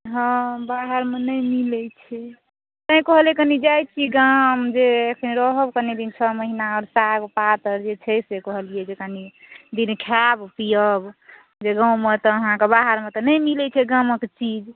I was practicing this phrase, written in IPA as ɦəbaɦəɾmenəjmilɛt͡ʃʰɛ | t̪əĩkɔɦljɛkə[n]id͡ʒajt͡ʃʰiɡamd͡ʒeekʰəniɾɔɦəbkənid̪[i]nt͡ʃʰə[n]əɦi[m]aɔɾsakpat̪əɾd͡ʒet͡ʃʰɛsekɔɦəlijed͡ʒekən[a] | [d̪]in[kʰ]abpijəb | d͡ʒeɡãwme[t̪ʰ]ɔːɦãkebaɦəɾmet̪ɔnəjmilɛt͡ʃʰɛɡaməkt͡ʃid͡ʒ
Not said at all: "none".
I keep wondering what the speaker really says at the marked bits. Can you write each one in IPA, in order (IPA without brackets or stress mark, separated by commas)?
n, i, m, n, i, d̪, kʰ, t̪